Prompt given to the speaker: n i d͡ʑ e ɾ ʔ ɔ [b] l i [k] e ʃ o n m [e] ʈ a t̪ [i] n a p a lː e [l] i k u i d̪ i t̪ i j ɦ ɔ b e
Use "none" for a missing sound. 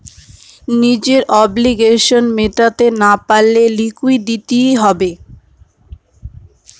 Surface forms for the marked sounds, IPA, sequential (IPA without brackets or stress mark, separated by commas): b, ɡ, e, e, l